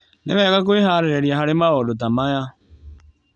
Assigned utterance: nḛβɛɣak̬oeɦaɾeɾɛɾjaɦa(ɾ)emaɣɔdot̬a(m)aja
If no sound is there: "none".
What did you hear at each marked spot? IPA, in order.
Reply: ɾ, m

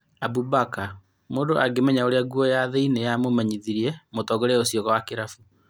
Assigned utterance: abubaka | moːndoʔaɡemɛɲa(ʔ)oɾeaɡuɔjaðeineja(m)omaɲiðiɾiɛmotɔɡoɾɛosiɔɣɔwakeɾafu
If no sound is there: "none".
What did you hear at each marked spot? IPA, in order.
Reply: none, m

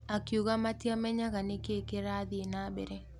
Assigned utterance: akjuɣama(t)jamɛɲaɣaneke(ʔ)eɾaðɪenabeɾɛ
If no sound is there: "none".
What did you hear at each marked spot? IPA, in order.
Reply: t, k

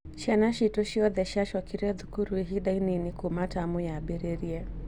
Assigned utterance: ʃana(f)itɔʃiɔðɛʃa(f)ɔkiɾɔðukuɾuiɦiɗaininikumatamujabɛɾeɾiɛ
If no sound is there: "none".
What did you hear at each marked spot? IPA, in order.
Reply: ʃ, ʃ

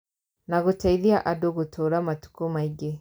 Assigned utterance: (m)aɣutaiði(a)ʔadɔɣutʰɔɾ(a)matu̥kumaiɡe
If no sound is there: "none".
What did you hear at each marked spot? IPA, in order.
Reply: n, a, a

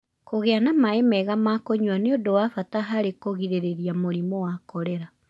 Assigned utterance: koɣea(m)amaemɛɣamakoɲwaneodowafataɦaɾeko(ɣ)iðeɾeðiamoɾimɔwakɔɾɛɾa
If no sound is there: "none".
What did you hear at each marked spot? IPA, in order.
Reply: n, ɣ

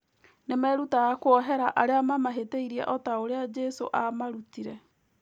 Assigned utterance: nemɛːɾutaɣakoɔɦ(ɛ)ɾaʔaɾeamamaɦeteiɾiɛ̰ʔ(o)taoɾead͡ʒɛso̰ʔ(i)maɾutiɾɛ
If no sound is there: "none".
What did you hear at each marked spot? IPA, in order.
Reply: ɛ, ɔ, a

